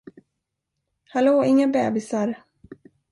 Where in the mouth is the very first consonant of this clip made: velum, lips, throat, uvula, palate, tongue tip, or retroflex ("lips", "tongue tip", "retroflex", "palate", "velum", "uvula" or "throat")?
throat